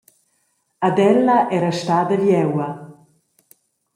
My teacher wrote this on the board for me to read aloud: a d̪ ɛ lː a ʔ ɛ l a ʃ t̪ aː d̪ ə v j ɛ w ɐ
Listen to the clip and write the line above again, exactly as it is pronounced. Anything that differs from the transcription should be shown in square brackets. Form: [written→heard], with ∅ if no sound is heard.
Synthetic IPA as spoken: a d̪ ɛ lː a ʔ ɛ [l→ɾ] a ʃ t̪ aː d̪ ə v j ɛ w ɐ